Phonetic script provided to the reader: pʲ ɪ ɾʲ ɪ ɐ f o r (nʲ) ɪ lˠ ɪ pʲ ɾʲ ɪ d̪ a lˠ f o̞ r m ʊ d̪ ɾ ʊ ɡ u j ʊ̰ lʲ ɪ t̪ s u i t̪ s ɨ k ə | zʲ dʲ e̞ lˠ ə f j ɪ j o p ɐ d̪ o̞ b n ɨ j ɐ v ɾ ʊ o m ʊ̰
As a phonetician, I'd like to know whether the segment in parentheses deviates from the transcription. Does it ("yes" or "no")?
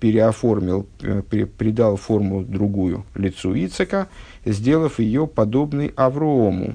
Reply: yes